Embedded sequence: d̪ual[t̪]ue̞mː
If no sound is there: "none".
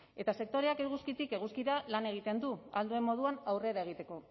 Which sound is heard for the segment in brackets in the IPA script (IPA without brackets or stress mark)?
d̪